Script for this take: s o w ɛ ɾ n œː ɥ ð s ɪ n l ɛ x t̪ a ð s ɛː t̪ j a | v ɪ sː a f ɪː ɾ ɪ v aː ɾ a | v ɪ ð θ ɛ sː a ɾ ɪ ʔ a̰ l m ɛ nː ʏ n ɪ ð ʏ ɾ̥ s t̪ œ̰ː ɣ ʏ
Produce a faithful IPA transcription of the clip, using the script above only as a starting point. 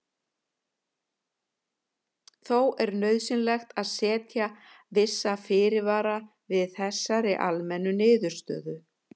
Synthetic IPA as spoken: θ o w ɛ ɾ n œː ɥ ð s ɪ n l ɛ x t̪ a ð s ɛː t̪ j a | v ɪ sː a f ɪː ɾ ɪ v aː ɾ a | v ɪ ð θ ɛ sː a ɾ ɪ ʔ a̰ l m ɛ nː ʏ n ɪː ð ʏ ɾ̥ s t̪ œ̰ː ð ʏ